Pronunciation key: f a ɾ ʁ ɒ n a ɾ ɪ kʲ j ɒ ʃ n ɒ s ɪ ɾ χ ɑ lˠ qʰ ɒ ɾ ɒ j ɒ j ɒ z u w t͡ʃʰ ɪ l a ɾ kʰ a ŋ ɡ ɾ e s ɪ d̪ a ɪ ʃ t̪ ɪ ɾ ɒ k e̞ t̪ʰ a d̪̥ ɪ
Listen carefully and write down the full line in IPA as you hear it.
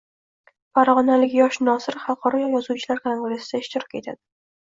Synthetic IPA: f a ɾ ʁ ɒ n a l ɪ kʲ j ɒ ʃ n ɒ s ɪ ɾ χ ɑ lˠ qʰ ɒ ɾ ɒ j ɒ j ɒ z u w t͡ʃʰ ɪ l a ɾ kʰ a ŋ ɡ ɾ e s ɪ d̪ a ɪ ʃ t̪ ɪ ɾ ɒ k e̞ t̪ʰ a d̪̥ ɪ